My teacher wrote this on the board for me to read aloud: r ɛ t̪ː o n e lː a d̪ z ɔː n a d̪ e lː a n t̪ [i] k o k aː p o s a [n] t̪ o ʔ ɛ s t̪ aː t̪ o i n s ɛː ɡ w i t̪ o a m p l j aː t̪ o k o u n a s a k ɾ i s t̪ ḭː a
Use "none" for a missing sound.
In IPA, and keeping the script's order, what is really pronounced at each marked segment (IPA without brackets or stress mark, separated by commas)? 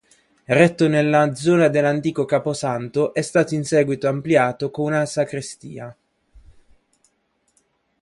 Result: iː, n